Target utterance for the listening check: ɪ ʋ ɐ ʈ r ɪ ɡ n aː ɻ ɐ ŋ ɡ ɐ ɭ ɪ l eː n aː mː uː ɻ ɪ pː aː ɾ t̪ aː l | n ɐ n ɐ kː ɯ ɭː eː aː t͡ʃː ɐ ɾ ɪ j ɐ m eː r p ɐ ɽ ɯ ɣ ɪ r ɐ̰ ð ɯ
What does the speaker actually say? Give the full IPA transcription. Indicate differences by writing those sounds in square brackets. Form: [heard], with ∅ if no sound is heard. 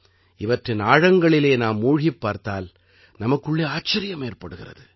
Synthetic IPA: ɪ ʋ ɐ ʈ r ɪ [∅] n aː ɻ ɐ ŋ ɡ ɐ ɭ ɪ l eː n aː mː uː ɻ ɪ pː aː ɾ t̪ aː l | n ɐ [m] ɐ kː ɯ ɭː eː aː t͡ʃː ɐ ɾ ɪ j ɐ m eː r p ɐ ɽ ɯ ɣ ɪ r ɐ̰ ð ɯ